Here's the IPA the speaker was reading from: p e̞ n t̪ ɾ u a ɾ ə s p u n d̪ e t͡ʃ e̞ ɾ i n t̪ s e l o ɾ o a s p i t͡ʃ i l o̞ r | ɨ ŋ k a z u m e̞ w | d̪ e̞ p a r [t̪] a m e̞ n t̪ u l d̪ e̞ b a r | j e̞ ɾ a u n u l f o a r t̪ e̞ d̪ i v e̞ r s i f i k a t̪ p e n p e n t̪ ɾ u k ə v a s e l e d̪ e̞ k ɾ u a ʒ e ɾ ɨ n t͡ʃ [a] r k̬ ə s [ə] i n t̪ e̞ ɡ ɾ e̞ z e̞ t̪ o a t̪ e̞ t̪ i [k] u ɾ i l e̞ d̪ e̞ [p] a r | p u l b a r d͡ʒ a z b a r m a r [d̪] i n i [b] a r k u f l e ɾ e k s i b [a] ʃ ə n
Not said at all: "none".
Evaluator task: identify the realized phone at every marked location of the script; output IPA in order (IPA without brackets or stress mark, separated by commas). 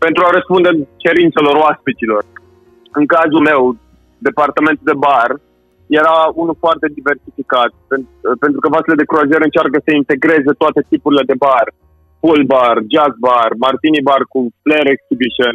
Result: t̪, a, ə, p, b, t̪, b, i